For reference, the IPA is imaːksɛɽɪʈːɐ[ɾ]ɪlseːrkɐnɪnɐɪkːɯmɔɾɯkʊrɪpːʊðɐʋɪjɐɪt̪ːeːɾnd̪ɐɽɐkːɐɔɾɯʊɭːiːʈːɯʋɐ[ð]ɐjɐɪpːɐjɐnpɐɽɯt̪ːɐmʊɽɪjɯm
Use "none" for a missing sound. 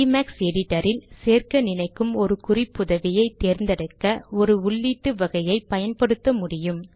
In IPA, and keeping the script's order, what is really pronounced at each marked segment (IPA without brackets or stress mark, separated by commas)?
ɾ, ɣ